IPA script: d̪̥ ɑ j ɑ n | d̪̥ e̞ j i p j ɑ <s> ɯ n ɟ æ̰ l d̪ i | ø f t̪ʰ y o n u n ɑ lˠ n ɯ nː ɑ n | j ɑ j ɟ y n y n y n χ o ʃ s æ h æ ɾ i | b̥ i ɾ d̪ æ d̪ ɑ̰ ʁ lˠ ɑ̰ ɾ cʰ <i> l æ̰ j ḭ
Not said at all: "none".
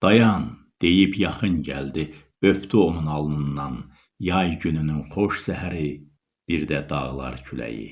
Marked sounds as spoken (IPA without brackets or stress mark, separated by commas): χ, y